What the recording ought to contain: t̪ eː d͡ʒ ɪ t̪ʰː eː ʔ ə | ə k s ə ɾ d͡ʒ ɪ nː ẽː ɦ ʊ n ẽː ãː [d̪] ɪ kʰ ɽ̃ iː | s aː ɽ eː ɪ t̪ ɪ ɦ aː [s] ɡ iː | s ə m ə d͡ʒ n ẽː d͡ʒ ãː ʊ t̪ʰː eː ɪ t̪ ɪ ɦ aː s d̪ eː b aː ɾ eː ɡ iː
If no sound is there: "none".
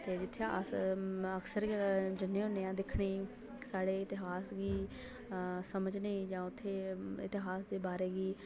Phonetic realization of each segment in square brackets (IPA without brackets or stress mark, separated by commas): d̪, s